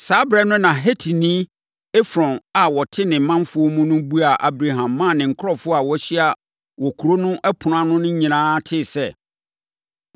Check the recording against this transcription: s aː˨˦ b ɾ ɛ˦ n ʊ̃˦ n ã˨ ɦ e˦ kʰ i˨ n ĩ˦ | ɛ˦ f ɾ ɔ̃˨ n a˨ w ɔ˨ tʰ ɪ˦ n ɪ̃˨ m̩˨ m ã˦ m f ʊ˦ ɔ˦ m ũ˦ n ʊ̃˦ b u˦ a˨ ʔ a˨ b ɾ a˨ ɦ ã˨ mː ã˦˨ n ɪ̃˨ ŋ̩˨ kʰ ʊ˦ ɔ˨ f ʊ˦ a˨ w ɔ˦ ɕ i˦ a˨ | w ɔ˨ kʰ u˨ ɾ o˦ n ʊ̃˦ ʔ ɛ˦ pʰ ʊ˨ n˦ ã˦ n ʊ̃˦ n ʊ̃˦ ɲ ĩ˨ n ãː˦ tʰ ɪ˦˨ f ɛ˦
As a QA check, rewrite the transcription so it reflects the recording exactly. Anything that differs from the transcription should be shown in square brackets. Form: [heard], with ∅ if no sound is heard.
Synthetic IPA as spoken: s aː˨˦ b ɾ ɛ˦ n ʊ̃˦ n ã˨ ɦ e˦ [tʰ] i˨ n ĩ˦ | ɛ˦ f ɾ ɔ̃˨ n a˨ w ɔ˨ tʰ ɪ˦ n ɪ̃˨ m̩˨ m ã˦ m f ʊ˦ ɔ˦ m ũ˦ n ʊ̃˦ b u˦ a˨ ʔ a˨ b ɾ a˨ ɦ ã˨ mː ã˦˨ n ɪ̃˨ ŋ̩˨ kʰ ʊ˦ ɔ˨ f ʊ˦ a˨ w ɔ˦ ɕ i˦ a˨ | w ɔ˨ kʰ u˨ ɾ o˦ n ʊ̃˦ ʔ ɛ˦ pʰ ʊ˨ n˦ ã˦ n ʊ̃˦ n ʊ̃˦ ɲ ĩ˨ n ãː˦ tʰ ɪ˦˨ [s] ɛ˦

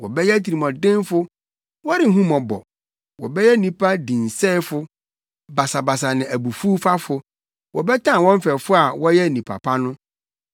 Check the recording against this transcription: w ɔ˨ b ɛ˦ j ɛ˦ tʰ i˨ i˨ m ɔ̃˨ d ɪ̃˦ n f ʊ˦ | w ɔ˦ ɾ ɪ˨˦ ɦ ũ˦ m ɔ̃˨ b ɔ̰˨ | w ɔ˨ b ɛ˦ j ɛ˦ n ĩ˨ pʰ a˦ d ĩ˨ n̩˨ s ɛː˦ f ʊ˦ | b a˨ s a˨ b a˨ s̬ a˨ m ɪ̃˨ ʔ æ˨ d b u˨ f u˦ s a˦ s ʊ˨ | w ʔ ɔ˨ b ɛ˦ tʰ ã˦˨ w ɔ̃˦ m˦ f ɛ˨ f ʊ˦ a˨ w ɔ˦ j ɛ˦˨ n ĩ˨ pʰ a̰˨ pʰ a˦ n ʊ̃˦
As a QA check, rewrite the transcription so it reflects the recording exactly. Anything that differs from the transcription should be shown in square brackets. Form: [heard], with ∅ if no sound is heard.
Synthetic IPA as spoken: w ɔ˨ b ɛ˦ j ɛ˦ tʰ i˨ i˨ m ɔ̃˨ d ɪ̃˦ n f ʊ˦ | w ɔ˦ ɾ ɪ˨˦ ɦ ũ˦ m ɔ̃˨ b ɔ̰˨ | w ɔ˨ b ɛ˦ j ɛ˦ n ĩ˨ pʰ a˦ d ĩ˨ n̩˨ s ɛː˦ f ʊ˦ | b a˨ s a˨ b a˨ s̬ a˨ [n] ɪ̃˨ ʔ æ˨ [∅] b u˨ f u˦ [f] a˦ [f] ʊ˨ | w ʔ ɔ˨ b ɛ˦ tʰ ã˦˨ w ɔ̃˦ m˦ f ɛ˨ f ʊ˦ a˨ w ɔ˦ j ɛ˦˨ n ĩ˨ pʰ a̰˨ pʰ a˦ n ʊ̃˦

